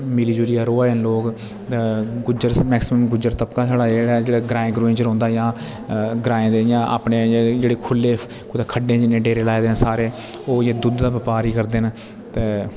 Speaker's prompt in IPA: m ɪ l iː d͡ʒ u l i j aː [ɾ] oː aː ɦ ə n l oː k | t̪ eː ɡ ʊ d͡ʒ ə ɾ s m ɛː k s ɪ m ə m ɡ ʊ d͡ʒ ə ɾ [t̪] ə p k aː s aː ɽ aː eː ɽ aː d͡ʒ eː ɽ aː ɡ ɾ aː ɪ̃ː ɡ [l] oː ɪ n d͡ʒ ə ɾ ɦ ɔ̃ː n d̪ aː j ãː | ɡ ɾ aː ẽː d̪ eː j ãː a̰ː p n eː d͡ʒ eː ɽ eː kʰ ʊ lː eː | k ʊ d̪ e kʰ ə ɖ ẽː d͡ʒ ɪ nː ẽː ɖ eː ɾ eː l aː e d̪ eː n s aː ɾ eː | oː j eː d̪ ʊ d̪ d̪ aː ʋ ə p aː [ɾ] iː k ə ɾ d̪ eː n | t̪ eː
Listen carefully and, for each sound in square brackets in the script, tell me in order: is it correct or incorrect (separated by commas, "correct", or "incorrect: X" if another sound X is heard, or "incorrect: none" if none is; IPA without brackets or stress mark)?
correct, correct, incorrect: ɾ, correct